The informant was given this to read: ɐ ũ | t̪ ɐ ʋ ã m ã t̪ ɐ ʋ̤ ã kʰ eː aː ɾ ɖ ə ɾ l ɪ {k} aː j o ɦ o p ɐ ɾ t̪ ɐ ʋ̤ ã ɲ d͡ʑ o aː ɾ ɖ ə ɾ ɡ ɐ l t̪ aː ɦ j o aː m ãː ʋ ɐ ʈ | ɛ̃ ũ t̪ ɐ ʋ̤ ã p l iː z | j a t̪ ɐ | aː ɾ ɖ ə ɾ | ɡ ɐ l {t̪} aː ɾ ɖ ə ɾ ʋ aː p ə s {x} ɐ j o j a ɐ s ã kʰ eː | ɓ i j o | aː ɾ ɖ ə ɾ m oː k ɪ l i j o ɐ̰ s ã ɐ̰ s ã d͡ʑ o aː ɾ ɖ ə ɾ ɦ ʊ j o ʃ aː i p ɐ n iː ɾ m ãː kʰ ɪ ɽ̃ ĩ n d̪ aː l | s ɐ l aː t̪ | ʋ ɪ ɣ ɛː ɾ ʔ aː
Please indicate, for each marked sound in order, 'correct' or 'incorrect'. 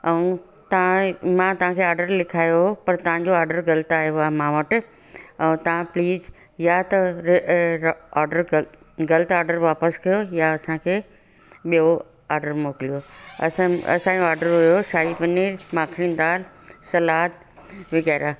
incorrect: kʰ, correct, incorrect: k

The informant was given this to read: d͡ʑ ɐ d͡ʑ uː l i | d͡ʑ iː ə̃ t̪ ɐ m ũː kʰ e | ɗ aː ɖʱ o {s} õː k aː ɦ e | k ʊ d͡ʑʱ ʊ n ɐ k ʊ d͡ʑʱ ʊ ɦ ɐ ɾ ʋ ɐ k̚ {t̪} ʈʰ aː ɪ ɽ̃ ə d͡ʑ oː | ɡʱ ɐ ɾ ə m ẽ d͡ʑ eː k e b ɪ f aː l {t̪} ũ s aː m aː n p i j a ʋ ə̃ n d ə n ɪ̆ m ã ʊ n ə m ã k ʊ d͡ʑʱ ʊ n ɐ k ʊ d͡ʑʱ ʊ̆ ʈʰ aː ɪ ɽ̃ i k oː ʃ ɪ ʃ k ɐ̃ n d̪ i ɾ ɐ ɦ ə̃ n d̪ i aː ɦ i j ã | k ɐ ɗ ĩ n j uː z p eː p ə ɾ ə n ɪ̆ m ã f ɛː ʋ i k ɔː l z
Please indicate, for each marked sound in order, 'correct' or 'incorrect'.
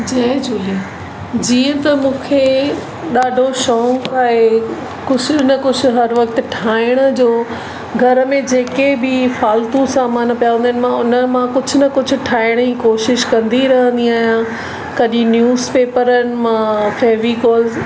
incorrect: ʃ, correct, correct

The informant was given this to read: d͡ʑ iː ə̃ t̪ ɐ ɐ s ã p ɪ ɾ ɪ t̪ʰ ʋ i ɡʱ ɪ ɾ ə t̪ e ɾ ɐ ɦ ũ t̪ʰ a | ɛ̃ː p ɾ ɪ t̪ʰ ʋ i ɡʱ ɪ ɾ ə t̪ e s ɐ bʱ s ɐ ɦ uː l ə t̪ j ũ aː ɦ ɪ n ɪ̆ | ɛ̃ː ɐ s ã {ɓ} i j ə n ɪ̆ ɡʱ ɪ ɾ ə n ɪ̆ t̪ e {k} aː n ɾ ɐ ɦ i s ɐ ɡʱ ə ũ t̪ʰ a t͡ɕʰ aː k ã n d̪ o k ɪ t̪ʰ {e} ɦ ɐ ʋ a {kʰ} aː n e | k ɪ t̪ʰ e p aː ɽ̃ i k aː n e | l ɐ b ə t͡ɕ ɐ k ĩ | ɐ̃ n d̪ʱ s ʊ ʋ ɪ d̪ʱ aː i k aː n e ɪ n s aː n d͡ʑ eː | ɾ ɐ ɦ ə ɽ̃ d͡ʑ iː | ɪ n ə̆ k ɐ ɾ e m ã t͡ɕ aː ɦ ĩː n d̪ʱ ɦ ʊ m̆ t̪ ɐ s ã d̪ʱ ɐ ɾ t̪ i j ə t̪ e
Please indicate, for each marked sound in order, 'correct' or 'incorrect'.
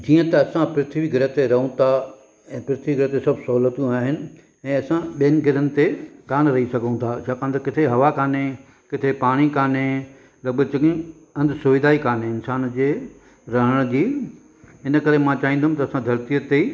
correct, correct, correct, incorrect: k

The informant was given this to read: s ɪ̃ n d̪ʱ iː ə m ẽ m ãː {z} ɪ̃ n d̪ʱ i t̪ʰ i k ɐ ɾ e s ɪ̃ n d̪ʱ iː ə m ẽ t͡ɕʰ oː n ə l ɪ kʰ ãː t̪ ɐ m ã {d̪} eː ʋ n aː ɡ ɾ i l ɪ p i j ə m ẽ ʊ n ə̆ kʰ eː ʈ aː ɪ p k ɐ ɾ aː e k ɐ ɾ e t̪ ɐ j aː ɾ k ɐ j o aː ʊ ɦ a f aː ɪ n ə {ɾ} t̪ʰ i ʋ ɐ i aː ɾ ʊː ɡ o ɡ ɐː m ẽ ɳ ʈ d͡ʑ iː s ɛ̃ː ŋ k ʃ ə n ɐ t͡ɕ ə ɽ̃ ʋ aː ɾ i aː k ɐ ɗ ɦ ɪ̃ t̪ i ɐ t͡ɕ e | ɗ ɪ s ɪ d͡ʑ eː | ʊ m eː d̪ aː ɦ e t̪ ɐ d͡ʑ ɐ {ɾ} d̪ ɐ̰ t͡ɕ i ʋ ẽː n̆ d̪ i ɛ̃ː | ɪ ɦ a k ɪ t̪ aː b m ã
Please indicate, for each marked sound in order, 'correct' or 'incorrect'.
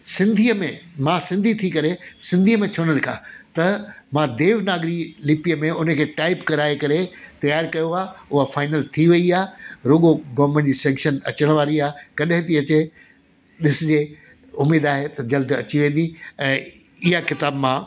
incorrect: s, correct, incorrect: l, incorrect: l

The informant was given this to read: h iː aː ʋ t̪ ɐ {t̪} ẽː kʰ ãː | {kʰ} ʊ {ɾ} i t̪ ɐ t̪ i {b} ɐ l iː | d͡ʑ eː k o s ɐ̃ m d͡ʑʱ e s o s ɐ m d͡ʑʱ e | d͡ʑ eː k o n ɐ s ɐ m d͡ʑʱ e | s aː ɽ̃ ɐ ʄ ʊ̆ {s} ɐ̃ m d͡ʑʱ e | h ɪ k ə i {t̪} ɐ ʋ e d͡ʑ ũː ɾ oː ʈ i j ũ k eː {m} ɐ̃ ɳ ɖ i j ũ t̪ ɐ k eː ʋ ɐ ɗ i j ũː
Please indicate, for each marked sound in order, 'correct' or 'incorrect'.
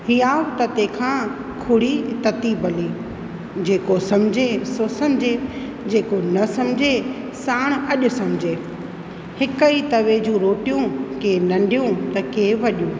correct, correct, incorrect: ɽ, correct, correct, correct, incorrect: n

